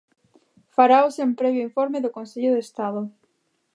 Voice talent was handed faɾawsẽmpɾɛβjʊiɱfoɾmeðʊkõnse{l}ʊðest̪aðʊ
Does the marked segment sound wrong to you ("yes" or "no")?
yes